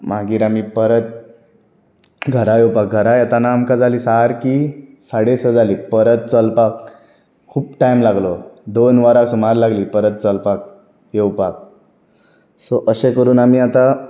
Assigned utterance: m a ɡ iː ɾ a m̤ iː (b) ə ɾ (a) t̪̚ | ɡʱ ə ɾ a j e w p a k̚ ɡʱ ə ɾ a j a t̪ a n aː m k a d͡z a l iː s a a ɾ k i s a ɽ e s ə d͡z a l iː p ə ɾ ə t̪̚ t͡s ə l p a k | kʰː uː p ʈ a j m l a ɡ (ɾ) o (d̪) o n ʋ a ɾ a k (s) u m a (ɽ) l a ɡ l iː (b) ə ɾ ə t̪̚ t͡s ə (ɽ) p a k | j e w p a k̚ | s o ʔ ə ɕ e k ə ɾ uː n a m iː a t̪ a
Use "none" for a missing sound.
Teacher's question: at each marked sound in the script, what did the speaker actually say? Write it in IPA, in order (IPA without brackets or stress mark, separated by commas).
p, ə, l, d̪, s, ɾ, p, l